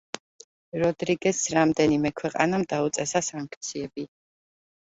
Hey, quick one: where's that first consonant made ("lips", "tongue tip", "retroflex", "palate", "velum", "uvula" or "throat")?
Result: tongue tip